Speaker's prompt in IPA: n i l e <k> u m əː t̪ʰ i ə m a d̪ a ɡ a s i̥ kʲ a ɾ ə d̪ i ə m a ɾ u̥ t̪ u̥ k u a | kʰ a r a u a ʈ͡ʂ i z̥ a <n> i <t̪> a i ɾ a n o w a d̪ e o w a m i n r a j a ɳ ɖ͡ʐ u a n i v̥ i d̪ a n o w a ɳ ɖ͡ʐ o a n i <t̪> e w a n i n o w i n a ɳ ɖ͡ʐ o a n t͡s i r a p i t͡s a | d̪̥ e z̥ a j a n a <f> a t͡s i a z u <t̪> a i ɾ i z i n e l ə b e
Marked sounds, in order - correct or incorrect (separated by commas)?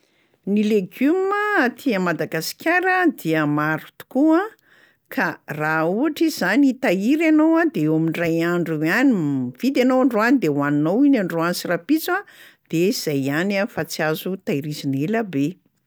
incorrect, correct, correct, incorrect, correct, correct